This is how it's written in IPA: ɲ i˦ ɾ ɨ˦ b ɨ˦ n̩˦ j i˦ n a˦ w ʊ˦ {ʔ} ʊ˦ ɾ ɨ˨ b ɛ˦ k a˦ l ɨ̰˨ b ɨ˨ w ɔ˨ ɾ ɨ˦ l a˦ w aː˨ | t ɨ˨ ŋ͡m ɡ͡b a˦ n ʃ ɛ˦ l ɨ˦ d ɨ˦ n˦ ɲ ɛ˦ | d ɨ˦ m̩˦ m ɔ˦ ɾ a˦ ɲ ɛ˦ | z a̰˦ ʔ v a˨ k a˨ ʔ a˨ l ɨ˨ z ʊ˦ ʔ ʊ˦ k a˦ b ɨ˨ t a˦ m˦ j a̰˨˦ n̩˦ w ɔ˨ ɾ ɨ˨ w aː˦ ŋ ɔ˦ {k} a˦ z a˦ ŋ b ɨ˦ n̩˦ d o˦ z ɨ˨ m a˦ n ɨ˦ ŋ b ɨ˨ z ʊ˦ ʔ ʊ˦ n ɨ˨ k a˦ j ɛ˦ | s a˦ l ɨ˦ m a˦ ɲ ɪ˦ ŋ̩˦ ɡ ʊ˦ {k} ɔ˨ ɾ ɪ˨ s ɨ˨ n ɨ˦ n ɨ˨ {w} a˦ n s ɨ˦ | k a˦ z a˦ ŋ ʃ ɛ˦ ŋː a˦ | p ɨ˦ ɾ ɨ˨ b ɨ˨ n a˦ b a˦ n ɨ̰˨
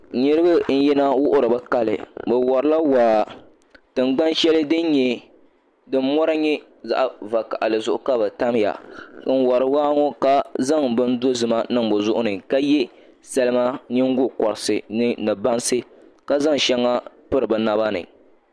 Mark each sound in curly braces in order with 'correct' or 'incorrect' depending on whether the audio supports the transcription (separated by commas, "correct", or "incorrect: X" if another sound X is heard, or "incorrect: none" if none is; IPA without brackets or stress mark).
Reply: correct, correct, correct, incorrect: b